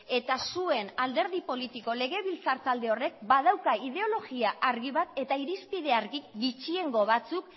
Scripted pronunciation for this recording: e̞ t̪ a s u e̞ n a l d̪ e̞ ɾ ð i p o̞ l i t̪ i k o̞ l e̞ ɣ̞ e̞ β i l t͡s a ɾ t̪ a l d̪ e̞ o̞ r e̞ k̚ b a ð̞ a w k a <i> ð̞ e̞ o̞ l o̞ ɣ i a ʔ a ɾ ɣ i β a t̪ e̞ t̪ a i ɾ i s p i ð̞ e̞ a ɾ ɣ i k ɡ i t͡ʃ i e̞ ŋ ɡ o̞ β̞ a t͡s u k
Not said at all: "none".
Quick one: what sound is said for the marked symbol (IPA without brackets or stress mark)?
i